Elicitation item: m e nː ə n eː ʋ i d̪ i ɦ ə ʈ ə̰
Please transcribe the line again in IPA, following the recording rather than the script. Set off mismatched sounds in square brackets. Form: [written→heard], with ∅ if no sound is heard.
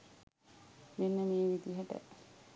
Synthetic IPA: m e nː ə [n→m] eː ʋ i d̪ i ɦ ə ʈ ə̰